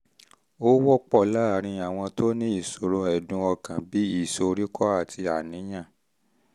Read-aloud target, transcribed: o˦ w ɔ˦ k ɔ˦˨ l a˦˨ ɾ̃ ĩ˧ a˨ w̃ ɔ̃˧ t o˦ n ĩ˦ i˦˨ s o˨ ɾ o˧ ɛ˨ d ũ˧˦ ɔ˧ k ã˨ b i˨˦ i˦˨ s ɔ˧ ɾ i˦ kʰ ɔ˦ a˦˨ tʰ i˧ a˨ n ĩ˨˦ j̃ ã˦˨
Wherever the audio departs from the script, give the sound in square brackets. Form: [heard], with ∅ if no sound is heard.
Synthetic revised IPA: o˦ w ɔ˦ [k͡p] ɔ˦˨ l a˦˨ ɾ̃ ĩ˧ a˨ w̃ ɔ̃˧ t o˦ n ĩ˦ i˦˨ s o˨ ɾ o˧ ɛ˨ d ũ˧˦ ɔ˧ k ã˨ b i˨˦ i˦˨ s [o˧] ɾ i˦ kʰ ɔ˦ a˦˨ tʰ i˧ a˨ n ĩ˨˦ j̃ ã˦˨